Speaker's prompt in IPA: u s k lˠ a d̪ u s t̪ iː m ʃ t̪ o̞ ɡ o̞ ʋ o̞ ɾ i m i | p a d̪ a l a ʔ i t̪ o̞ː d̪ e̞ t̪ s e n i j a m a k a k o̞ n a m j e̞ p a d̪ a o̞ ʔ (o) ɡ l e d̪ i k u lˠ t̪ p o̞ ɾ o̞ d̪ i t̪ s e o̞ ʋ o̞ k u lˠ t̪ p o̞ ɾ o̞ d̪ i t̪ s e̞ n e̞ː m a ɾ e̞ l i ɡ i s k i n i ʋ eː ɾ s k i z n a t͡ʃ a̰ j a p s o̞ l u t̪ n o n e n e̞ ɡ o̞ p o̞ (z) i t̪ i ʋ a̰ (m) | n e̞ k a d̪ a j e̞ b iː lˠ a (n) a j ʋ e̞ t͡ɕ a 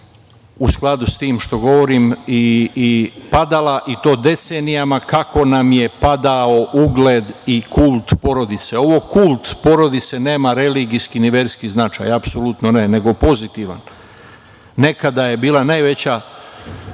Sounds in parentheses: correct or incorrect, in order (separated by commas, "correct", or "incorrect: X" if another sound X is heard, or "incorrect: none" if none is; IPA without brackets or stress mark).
incorrect: u, correct, incorrect: n, correct